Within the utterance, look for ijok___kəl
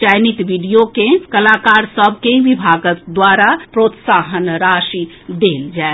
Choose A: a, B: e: B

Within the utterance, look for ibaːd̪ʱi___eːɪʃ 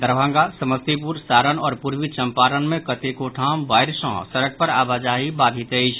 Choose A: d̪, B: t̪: B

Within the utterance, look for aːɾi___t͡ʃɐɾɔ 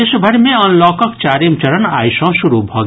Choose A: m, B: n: A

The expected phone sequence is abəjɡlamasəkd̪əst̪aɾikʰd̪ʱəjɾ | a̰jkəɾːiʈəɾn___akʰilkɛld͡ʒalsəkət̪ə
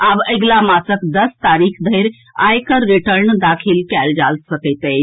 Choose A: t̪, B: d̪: B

